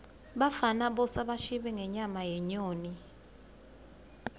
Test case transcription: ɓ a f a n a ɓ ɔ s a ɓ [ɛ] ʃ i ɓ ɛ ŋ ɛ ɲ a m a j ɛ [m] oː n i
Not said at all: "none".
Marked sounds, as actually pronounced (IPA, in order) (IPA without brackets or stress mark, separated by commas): a, ɲ